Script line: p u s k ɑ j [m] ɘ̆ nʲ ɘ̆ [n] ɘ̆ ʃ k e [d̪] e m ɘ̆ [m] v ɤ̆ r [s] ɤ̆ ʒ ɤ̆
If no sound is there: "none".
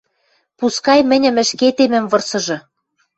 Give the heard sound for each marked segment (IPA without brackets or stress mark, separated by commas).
m, m, t̪, m, s